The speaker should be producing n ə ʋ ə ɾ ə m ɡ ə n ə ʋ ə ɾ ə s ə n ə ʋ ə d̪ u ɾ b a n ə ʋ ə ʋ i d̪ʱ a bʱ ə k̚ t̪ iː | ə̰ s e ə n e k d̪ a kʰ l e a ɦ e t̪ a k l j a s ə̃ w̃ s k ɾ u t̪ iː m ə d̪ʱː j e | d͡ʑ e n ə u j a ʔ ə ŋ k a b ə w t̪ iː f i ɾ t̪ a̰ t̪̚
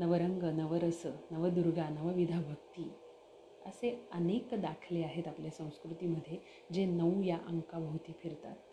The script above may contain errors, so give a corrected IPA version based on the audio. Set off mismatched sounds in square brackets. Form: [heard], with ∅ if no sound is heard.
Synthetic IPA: n ə ʋ ə ɾ ə [ŋ] ɡ ə n ə ʋ ə ɾ ə s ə n ə ʋ ə d̪ u ɾ [ɡ] a n ə ʋ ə ʋ i d̪ʱ a bʱ ə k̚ t̪ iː | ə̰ s e ə n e k d̪ a kʰ l e a ɦ e t̪ a [p] l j a s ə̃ w̃ s k ɾ u t̪ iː m ə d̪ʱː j e | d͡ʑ e n ə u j a ʔ ə ŋ k a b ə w t̪ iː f i ɾ t̪ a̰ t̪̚